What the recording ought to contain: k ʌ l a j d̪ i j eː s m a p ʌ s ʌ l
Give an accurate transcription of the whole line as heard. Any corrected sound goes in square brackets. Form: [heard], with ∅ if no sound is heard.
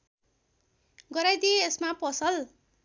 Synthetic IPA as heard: [ɡ] ʌ [ɾ] a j d̪ i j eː s m a p ʌ s ʌ l